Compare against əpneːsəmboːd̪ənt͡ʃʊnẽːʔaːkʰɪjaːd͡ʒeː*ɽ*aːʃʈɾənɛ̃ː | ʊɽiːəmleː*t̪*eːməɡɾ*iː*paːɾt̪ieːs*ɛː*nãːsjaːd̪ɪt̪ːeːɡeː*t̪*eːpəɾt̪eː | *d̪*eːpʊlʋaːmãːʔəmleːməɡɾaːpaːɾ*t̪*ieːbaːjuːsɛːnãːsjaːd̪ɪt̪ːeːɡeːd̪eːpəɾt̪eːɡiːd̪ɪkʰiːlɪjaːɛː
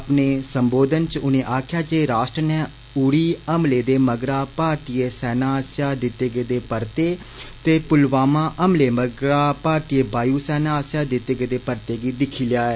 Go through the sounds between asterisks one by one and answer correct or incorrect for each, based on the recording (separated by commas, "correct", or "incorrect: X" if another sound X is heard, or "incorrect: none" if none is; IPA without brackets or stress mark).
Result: incorrect: ɾ, incorrect: d̪, incorrect: aː, correct, incorrect: d̪, incorrect: t̪, correct